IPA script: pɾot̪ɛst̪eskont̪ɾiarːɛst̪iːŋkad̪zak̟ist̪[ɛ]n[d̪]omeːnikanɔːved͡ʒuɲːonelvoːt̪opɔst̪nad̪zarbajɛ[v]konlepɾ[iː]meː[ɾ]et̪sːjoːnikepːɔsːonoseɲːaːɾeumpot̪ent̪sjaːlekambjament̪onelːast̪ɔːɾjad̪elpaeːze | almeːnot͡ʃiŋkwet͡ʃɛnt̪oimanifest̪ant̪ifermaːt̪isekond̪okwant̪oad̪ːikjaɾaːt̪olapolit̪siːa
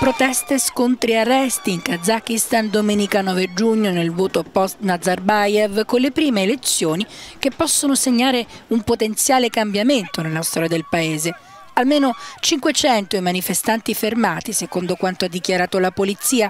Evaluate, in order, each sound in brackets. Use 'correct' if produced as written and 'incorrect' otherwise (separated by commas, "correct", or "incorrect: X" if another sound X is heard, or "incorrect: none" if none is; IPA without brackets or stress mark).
incorrect: a, correct, correct, correct, incorrect: l